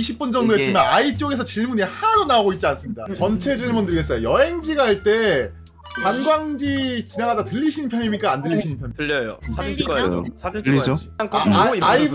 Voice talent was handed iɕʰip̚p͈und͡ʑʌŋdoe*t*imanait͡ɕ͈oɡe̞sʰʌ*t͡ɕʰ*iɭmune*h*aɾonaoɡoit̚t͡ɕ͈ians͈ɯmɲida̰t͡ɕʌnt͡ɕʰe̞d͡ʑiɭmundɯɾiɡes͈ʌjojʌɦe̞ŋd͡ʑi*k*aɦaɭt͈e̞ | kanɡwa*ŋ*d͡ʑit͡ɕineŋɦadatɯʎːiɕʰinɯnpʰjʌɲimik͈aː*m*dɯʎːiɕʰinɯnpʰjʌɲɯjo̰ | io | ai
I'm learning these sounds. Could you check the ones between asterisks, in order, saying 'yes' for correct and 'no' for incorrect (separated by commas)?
no, no, yes, no, yes, no